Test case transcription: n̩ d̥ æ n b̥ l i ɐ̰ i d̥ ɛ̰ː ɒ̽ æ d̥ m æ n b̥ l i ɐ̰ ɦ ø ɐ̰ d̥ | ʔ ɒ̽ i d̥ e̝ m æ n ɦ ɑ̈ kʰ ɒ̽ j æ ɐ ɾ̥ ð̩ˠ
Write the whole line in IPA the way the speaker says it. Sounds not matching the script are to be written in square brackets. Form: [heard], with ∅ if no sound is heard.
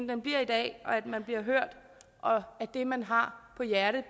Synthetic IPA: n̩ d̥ [e] n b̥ l i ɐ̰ i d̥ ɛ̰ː ɒ̽ æ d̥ m æ n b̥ l i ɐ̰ ɦ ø ɐ̰ d̥ | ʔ ɒ̽ [æ] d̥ e̝ m æ n ɦ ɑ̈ [pʰ] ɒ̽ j æ ɐ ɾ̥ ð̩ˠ